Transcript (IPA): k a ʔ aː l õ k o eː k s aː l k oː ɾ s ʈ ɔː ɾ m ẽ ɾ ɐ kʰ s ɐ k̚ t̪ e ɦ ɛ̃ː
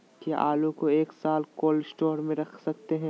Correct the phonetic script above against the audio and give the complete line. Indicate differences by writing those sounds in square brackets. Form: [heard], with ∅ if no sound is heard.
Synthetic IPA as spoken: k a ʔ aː l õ k o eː k s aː l k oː [l] s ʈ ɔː ɾ m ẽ ɾ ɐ kʰ s ɐ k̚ t̪ e ɦ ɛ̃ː